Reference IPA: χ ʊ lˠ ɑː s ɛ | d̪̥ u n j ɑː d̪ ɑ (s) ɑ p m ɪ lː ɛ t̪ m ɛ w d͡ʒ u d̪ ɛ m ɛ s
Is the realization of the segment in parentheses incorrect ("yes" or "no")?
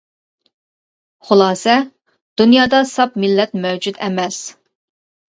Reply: no